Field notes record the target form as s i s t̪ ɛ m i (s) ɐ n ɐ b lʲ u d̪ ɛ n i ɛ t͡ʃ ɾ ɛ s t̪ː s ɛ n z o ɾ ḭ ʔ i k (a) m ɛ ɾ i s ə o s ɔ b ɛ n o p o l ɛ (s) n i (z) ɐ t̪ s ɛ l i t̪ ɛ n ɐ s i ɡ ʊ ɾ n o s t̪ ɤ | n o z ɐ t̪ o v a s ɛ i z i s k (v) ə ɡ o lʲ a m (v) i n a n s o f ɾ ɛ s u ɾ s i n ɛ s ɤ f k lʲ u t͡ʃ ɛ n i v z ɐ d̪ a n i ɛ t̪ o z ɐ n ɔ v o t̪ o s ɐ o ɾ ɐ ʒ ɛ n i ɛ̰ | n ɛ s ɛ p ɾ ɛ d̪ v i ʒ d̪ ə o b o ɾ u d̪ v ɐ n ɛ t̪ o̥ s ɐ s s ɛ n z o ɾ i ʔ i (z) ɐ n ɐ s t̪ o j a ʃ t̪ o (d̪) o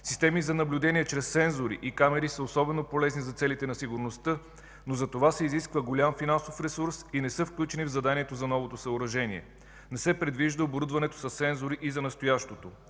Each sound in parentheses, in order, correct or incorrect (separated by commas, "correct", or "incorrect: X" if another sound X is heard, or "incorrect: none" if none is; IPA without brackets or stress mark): incorrect: z, correct, incorrect: z, correct, correct, incorrect: f, correct, incorrect: t̪